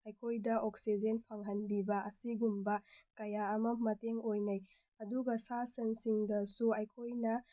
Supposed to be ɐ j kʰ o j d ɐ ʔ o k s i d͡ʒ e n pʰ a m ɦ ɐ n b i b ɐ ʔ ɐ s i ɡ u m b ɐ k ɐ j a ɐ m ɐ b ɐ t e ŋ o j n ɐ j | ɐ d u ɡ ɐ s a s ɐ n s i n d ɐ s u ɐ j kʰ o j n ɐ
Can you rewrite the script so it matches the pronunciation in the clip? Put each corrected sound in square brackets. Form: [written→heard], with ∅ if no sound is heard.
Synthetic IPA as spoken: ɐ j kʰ o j d ɐ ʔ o k s i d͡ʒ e n pʰ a [m→ŋ] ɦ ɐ n b i b ɐ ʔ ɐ s i ɡ u m b ɐ k ɐ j a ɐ m ɐ [b→m] ɐ t e ŋ o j n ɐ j | ɐ d u ɡ ɐ s a s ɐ n s i [n→ŋ] d ɐ s u ɐ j kʰ o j n ɐ

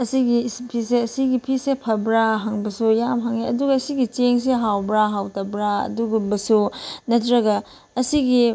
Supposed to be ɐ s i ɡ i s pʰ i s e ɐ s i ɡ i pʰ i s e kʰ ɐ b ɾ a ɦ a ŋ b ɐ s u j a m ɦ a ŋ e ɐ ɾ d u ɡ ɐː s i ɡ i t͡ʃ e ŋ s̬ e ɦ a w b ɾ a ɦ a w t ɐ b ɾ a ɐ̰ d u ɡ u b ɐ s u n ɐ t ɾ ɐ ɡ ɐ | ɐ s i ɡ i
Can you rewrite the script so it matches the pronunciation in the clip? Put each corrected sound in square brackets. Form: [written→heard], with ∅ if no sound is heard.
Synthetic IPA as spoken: ɐ s i ɡ i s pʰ i s e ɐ s i ɡ i pʰ i s e [kʰ→pʰ] ɐ b ɾ a ɦ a ŋ b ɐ s u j a m ɦ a ŋ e ɐ [ɾ→∅] d u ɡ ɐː s i ɡ i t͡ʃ e ŋ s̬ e ɦ a w b ɾ a ɦ a w t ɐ b ɾ a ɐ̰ d u ɡ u b ɐ s u n ɐ t ɾ ɐ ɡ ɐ | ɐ s i ɡ i

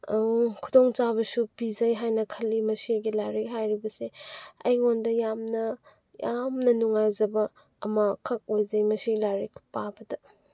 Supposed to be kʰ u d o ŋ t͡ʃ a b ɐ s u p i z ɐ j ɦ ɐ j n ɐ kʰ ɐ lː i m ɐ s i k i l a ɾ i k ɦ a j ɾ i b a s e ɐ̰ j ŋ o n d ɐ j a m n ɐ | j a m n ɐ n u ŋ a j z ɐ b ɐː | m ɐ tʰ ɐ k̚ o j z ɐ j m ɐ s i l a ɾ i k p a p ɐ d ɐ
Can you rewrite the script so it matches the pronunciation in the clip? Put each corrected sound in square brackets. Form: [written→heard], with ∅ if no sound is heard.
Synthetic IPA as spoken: kʰ u d o ŋ t͡ʃ a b ɐ s u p i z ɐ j ɦ [ɐ→a] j n ɐ kʰ ɐ lː i m ɐ s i [k→ɡ] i l a ɾ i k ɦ a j ɾ i b [a→ɐ] s e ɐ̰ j ŋ o n d ɐ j a m n ɐ | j a m n ɐ n u ŋ a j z ɐ b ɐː | m ɐ [tʰ→kʰ] ɐ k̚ o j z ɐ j m ɐ s i l a ɾ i k p a [p→b] ɐ d ɐ

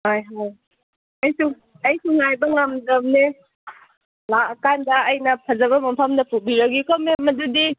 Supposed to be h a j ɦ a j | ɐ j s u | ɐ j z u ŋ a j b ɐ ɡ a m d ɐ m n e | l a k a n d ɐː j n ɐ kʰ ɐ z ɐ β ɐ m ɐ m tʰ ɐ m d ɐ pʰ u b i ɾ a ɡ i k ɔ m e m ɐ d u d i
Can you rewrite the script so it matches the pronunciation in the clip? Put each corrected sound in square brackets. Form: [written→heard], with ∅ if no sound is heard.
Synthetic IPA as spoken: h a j ɦ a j | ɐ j s u | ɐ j [z→s] u ŋ a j b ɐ [ɡ→ŋ] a m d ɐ m n e | l a k a n d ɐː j n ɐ [kʰ→pʰ] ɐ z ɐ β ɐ m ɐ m [tʰ→pʰ] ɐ m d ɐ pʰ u b i ɾ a ɡ i k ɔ m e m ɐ d u d i

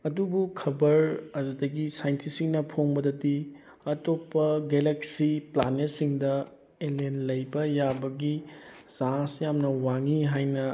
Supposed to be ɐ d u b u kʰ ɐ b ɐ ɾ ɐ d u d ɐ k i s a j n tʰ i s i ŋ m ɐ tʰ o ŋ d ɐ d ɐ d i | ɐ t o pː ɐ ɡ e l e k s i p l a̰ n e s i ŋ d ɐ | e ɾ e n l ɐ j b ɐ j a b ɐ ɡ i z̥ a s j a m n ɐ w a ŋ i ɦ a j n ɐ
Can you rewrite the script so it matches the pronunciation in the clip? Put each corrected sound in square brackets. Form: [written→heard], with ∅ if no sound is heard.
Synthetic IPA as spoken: ɐ d u b u kʰ ɐ b ɐ ɾ ɐ d u d ɐ [k→ɡ] i s a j n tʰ i s i ŋ [m→n] ɐ [tʰ→pʰ] o ŋ [d→b] ɐ d ɐ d i | ɐ t o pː ɐ ɡ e l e k s i p l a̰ n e s i ŋ d ɐ | e [ɾ→l] e n l ɐ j b ɐ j a b ɐ ɡ i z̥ a s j a m n ɐ w a ŋ i ɦ a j n ɐ

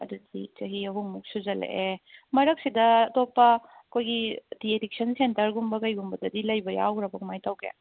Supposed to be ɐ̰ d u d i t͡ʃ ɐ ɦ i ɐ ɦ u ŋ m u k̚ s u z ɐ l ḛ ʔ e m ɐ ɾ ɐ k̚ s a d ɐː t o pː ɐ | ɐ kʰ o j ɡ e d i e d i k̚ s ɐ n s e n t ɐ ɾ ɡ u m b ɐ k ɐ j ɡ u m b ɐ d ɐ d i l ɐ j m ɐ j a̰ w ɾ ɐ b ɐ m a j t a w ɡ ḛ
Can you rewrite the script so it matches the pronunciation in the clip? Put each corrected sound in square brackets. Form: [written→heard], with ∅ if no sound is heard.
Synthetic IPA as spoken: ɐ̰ d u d i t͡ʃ ɐ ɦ i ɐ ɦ u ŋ m u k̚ s u z ɐ l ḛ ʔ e m ɐ ɾ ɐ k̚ s [a→i] d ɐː t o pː ɐ | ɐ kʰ o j ɡ [e→i] d i e d i k̚ s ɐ n s e n t ɐ ɾ ɡ u m b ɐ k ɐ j ɡ u m b ɐ d ɐ d i l ɐ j [m→b] ɐ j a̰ w ɾ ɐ b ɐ m a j t a w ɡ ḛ

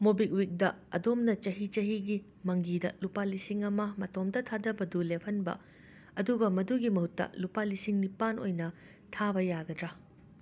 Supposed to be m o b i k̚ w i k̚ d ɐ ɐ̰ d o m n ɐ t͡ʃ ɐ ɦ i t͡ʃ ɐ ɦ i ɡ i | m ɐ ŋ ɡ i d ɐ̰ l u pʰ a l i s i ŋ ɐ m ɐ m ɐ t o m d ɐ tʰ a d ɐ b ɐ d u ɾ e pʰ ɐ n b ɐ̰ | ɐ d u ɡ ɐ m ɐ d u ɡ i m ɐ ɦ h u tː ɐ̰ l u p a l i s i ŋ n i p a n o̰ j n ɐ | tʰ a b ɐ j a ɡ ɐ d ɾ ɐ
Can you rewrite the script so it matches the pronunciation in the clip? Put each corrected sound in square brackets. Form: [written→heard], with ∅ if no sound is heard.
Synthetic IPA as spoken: m o b i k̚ w i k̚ d ɐ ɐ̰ d o m n ɐ t͡ʃ ɐ ɦ i t͡ʃ ɐ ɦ i ɡ i | m ɐ ŋ ɡ i d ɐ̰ l u [pʰ→p] a l i s i ŋ ɐ m ɐ m ɐ t o m d ɐ tʰ a d ɐ b ɐ d u [ɾ→l] e pʰ ɐ n b ɐ̰ | ɐ d u ɡ ɐ m ɐ d u ɡ i m ɐ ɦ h u tː ɐ̰ l u p a l i s i ŋ n i p a n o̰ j n ɐ | tʰ a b ɐ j a ɡ ɐ d ɾ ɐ

